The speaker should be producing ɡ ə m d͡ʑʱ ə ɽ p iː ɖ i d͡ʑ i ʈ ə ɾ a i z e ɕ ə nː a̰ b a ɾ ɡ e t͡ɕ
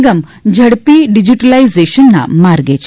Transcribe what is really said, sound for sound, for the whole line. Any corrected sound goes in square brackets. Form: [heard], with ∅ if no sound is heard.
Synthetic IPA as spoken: ɡ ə m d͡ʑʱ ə ɽ p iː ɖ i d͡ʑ i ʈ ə [l] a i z e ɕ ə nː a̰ [m] a ɾ ɡ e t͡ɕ